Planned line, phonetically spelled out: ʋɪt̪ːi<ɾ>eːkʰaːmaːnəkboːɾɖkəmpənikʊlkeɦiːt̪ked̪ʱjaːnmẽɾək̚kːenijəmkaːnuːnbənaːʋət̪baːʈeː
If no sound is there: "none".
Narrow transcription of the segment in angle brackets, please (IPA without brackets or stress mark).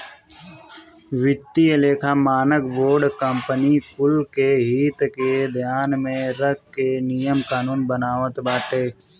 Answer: l